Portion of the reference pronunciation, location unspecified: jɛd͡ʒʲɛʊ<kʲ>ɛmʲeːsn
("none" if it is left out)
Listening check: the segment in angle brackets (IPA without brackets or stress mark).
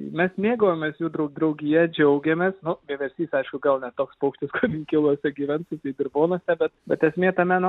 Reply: ɡʲ